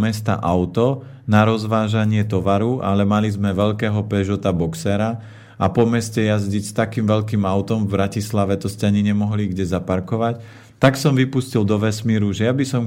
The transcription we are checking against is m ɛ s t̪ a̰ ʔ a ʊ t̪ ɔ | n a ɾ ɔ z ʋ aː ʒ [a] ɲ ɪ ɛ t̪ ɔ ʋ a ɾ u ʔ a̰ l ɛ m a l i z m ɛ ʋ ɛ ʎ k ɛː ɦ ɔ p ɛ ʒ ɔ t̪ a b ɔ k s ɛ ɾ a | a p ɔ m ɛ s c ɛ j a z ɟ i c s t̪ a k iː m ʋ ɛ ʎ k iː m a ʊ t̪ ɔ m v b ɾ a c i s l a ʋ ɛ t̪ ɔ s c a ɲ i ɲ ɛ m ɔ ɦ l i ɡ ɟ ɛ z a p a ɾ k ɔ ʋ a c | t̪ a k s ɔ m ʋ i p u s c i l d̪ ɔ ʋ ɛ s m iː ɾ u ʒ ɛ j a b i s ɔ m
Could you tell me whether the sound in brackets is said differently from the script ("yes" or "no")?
no